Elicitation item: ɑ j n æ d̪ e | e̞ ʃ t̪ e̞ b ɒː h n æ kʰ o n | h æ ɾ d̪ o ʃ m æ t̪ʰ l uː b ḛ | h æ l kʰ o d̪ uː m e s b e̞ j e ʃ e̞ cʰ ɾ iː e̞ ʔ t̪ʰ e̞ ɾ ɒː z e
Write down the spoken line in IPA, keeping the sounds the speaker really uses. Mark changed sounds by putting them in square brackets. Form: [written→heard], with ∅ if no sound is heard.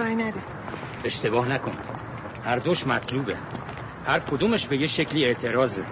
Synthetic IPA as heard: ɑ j n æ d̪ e | e̞ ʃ t̪ e̞ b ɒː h n æ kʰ o n | h æ ɾ d̪ o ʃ m æ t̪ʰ l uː b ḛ | h æ [l→ɾ] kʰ o d̪ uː m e [s→ʃ] b e̞ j e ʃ e̞ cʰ [ɾ→l] iː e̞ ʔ t̪ʰ e̞ ɾ ɒː z e